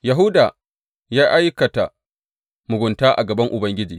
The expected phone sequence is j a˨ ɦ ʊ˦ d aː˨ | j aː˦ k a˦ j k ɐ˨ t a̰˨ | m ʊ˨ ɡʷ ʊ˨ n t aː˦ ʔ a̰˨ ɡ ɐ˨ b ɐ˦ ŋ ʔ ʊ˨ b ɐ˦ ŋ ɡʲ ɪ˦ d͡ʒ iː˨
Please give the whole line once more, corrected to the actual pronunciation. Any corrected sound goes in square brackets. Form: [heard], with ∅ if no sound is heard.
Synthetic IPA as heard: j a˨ ɦ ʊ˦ d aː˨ | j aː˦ [ʔ] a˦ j k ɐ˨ t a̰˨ | m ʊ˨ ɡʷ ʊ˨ n t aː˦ ʔ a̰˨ ɡ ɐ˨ b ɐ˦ ŋ ʔ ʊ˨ b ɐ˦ ŋ ɡʲ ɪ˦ d͡ʒ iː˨